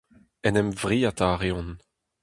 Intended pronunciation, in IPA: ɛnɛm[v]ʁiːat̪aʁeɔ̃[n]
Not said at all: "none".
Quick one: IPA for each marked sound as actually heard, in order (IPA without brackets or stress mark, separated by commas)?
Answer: v, n